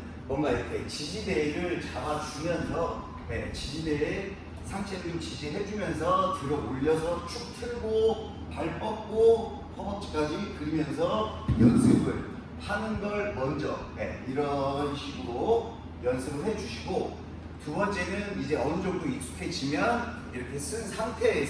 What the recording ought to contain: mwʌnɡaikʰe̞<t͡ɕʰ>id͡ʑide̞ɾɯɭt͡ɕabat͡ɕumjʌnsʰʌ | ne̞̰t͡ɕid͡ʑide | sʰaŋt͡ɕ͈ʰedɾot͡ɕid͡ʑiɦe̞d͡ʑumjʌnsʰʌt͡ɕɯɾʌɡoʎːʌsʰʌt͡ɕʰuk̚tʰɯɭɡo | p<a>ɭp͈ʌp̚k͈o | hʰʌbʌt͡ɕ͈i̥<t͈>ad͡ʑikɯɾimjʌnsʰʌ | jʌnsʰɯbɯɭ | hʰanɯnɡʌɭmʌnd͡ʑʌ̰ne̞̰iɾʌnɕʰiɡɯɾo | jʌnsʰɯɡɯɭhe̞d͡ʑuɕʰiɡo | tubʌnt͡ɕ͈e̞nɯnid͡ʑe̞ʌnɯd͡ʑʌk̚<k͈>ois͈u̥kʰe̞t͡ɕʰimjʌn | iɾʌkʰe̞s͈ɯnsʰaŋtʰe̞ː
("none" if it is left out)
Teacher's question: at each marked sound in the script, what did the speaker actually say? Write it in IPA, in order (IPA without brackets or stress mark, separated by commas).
t͡ɕ, a, k͈, t͈